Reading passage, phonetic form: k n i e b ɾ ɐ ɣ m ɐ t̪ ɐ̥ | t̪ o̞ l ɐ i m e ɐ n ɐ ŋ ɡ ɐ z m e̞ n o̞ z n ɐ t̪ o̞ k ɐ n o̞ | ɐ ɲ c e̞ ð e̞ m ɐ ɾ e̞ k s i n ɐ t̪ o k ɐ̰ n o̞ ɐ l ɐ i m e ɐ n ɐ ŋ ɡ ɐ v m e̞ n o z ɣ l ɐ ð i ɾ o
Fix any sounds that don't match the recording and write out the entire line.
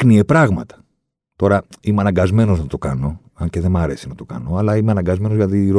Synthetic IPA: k n i e p ɾ ɐ ɣ m ɐ t̪ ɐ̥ | t̪ o̞ ɾ ɐ i m e ɐ n ɐ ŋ ɡ ɐ z m e̞ n o̞ z n ɐ t̪ o̞ k ɐ n o̞ | ɐ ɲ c e̞ ð e̞ m ɐ ɾ e̞ s i n ɐ t̪ o k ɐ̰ n o̞ ɐ l ɐ i m e ɐ n ɐ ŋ ɡ ɐ z m e̞ n o z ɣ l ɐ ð i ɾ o